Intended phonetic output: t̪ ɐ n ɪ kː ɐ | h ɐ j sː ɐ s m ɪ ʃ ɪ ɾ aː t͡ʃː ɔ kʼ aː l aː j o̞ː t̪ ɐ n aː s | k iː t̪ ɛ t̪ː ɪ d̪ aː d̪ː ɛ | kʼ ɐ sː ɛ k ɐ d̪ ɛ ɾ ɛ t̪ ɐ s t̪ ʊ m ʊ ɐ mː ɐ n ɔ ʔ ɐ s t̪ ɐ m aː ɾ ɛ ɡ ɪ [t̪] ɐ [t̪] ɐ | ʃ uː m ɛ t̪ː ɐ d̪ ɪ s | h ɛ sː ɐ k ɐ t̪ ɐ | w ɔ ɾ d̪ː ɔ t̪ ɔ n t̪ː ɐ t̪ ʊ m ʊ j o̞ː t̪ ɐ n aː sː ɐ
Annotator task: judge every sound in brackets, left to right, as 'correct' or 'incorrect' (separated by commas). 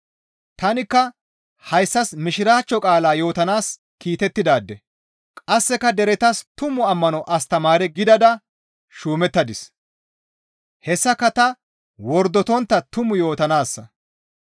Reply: incorrect, incorrect